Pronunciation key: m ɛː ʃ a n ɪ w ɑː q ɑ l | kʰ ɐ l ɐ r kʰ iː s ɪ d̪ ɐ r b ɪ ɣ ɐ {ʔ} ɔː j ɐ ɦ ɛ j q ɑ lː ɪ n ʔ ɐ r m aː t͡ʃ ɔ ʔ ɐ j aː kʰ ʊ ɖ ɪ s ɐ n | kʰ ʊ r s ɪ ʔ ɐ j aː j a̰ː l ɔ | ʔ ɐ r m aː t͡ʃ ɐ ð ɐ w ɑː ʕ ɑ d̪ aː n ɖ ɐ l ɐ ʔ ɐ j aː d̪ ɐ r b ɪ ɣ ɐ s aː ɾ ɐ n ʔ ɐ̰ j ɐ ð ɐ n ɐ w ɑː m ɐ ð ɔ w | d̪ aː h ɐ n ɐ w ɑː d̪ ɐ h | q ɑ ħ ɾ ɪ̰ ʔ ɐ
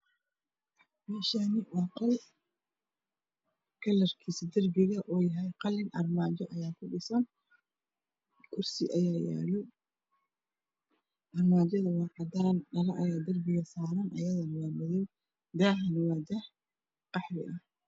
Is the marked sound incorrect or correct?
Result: correct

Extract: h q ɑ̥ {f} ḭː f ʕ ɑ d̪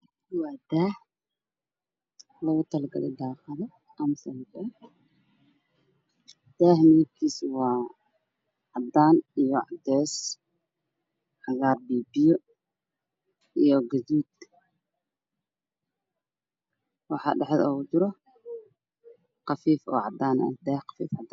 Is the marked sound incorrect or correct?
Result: correct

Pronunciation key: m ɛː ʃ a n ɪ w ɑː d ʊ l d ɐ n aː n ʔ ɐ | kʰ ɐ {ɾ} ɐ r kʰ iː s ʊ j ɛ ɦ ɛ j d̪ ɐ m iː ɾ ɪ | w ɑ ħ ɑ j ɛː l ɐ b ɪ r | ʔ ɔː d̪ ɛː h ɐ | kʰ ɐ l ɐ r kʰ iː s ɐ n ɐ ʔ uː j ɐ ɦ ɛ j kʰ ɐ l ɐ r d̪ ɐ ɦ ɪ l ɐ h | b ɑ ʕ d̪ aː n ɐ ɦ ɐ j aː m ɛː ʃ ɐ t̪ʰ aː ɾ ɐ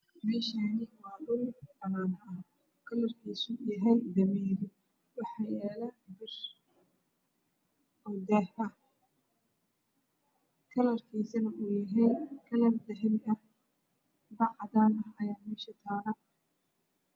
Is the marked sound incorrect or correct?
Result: incorrect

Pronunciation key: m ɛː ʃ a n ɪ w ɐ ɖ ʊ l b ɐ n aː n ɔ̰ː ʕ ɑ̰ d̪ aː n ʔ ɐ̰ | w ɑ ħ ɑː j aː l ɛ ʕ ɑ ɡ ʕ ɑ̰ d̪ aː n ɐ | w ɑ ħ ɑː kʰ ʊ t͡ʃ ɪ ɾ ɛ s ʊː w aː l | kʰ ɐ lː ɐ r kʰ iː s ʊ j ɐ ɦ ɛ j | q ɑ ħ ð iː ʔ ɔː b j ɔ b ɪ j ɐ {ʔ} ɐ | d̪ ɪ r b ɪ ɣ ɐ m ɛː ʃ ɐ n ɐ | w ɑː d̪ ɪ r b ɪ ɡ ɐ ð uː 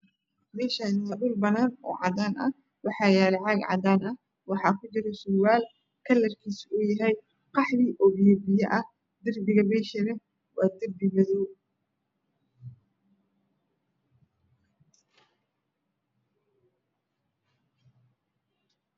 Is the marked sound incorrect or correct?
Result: correct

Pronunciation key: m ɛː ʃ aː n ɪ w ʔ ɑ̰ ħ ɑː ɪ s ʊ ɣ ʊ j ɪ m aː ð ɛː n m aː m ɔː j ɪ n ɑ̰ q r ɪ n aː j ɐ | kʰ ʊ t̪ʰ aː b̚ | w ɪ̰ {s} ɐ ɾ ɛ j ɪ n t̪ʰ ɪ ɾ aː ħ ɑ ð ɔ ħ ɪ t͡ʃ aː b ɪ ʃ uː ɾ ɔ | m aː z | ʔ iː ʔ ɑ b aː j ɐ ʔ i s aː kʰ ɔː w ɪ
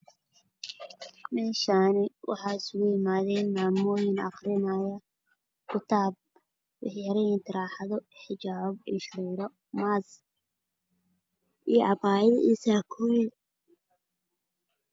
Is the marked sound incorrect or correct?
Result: incorrect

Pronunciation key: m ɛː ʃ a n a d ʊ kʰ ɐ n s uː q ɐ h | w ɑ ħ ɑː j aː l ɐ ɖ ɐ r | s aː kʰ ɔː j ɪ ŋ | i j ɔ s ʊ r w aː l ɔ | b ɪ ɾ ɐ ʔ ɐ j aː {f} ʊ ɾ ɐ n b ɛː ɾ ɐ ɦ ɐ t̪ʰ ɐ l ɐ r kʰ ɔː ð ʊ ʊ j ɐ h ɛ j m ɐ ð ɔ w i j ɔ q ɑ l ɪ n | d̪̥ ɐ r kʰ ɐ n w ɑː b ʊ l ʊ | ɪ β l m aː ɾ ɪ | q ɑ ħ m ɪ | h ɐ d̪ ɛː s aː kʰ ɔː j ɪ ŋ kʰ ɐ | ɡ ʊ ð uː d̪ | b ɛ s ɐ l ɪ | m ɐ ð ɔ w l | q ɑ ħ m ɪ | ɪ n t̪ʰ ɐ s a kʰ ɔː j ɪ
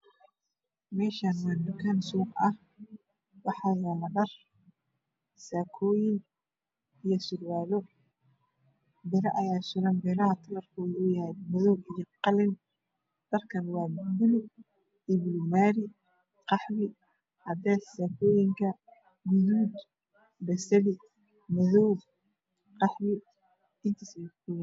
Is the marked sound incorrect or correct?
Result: incorrect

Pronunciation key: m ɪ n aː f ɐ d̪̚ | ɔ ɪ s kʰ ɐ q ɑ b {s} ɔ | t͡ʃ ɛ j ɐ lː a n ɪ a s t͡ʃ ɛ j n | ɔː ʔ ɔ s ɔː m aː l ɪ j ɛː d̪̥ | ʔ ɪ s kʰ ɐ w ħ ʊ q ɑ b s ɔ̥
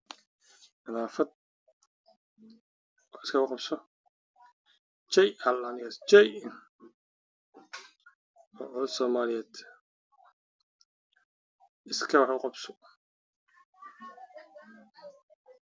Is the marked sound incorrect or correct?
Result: correct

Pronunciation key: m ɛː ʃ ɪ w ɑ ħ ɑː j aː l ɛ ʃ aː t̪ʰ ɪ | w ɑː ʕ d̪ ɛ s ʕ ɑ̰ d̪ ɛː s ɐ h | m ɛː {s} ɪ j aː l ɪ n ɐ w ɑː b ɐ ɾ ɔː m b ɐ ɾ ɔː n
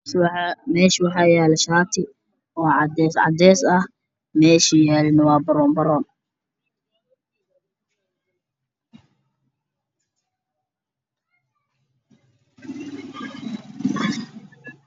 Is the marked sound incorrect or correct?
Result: incorrect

